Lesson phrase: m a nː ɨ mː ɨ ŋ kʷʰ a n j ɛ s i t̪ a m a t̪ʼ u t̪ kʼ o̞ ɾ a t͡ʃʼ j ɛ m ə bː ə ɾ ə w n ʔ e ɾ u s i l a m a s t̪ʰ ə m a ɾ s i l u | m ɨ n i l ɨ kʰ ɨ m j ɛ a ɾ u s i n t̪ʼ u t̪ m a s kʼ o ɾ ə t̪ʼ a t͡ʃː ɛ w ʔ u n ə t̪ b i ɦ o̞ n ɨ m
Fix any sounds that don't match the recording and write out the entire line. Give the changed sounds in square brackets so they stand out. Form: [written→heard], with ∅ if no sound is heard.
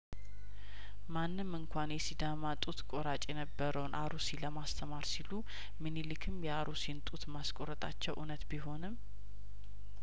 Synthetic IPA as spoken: m a nː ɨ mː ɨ ŋ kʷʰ a n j ɛ s i [t̪→d̪] a m a t̪ʼ u t̪ kʼ o̞ ɾ a t͡ʃʼ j ɛ [m→n] ə bː ə ɾ ə w n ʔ [e→a] ɾ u s i l [a→ə] m a s t̪ʰ ə m a ɾ s i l u | m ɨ n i l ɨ kʰ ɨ m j ɛ a ɾ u s i n t̪ʼ u t̪ m a s kʼ o ɾ ə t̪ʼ a t͡ʃː ɛ w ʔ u n ə t̪ b i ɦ o̞ n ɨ m